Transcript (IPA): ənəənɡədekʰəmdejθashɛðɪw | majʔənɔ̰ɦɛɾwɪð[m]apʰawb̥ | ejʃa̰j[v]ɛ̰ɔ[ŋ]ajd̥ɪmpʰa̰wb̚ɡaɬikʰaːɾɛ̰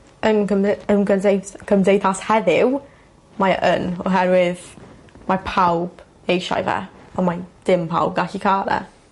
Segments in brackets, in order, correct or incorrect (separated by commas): correct, correct, incorrect